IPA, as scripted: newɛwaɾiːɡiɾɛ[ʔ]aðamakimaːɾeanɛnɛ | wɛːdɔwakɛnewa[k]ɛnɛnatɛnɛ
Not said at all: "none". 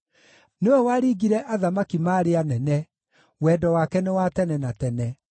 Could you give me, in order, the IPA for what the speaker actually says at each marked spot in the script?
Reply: ʔ, t

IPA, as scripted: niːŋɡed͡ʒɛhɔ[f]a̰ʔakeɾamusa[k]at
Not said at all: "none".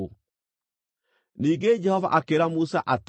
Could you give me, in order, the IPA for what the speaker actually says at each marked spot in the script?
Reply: v, ʔ

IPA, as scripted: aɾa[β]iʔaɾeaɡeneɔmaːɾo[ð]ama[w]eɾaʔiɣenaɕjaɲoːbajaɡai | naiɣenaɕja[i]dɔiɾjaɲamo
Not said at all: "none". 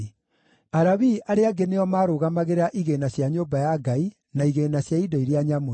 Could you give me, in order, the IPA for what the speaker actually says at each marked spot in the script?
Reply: β, ɣ, ɣ, i

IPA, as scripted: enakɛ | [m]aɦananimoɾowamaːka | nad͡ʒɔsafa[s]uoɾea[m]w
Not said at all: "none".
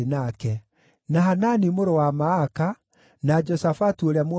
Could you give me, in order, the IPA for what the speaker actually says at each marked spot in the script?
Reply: n, t, m

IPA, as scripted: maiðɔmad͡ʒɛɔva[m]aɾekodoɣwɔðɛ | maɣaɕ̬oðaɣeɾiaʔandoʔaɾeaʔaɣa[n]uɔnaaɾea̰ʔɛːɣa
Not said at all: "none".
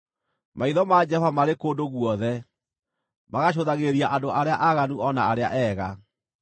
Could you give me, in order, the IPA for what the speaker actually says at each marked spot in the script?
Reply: m, n

